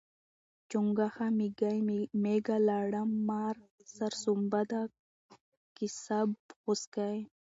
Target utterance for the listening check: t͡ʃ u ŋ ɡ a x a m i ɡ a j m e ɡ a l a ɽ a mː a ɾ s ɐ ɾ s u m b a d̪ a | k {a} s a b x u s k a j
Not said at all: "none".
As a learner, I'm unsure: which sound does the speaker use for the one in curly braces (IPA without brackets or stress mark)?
i